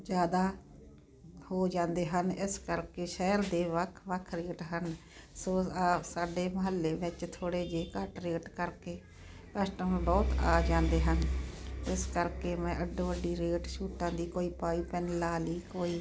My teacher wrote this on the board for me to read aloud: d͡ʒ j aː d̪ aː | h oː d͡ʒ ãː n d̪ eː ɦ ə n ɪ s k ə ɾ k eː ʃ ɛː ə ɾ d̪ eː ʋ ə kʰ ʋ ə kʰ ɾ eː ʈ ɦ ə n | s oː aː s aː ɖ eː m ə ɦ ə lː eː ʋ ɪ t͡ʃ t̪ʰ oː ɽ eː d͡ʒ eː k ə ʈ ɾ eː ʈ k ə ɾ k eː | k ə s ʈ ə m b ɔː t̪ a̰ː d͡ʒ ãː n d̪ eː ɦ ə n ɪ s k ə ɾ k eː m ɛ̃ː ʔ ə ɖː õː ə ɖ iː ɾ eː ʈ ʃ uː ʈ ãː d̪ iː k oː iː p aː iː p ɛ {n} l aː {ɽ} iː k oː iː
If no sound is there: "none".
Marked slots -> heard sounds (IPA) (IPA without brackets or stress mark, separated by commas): n, l